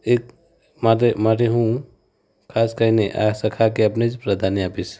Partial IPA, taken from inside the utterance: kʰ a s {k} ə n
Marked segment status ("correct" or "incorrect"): correct